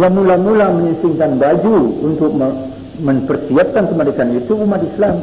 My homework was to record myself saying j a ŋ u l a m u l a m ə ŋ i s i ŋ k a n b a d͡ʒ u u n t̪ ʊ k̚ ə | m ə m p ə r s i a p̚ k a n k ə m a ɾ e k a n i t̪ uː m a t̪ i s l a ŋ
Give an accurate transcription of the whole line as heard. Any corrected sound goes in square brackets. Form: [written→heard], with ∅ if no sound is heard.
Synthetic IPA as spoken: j a [ŋ→m] u l a m u l a m ə [ŋ→ɲ] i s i ŋ k a n b a d͡ʒ u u n t̪ ʊ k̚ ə | m ə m p ə r s i a p̚ k a n k ə m a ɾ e k a n i t̪ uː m a t̪ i s l a [ŋ→m]